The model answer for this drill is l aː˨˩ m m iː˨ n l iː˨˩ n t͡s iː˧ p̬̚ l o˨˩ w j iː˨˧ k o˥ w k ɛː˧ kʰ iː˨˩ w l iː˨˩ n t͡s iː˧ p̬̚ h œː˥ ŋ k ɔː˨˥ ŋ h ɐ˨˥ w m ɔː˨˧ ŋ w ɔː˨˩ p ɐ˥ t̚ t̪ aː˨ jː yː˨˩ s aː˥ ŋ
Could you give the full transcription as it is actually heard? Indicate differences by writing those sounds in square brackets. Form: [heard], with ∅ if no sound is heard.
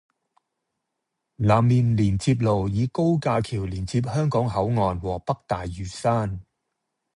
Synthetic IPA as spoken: l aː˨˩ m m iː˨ n l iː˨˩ n t͡s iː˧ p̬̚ l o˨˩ w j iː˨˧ k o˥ w k [aː˧] kʰ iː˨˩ w l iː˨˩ n t͡s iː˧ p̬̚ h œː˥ ŋ k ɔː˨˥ ŋ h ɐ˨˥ w [ŋ] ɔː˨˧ [n] w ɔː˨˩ p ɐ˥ [k̚] t̪ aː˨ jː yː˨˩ s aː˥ [n]

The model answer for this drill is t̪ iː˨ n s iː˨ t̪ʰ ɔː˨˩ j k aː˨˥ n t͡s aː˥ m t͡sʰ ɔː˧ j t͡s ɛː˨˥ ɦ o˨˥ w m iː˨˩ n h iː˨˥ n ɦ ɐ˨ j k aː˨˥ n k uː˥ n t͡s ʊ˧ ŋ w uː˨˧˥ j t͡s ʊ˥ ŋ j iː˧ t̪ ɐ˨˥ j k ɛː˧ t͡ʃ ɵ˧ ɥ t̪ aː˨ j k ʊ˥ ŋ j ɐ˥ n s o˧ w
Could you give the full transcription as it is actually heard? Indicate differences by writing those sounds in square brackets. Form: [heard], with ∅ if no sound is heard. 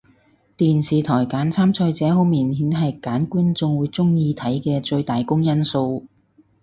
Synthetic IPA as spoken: t̪ iː˨ n s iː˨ t̪ʰ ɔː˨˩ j k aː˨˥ n [t͡sʰ] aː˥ m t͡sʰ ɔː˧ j t͡s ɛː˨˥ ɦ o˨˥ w m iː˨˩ n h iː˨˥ n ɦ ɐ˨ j k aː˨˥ n k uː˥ n t͡s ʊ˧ ŋ w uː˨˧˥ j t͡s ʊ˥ ŋ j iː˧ [t̪ʰ] ɐ˨˥ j k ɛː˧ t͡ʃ ɵ˧ ɥ t̪ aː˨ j k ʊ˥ ŋ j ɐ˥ n s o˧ w

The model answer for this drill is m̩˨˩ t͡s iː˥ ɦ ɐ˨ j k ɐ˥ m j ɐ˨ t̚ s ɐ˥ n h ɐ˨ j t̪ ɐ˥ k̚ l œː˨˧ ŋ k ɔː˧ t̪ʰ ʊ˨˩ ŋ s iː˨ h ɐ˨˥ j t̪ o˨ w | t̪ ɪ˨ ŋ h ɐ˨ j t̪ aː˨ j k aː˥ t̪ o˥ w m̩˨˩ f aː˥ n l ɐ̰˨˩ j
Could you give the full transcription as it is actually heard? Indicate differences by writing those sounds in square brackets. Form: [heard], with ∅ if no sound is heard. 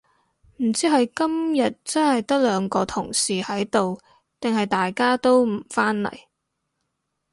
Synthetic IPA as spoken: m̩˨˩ t͡s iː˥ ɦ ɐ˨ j k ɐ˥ m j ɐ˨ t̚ [t͡s] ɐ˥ n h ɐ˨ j t̪ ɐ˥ k̚ l œː˨˧ ŋ k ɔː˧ t̪ʰ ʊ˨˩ ŋ s iː˨ h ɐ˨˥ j t̪ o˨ w | t̪ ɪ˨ ŋ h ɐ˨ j t̪ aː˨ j k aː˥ t̪ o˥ w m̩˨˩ f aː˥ n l ɐ̰˨˩ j

